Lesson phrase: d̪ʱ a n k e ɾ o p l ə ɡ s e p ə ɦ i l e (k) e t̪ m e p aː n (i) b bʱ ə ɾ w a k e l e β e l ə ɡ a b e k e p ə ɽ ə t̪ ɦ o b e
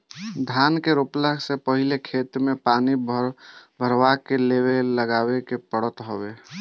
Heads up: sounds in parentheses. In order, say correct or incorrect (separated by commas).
incorrect, correct